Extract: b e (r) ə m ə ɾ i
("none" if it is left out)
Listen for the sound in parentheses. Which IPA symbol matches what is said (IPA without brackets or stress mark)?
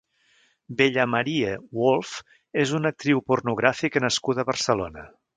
ʎ